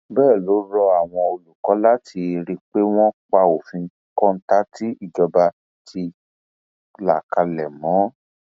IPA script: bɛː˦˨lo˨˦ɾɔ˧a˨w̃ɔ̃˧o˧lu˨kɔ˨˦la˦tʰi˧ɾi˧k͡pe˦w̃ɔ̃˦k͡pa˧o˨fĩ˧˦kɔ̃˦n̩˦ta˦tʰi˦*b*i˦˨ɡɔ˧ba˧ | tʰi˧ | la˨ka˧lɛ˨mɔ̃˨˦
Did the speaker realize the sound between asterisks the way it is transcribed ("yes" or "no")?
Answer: no